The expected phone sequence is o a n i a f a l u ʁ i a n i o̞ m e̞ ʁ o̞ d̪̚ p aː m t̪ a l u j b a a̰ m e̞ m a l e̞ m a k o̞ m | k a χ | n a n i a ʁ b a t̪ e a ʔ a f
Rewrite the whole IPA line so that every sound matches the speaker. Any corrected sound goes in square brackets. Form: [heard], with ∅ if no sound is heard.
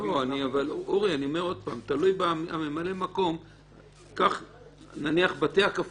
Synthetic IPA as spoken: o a n i a [v] a l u ʁ i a n i o̞ m e̞ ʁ o̞ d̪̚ p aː m t̪ a l u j b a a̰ m e̞ m a l e̞ m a k o̞ m | k a χ | n a n i a [χ] b a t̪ e a [k] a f